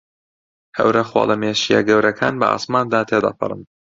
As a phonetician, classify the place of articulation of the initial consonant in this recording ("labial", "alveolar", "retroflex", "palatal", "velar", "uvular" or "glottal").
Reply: glottal